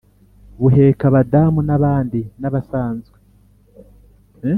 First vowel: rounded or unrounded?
rounded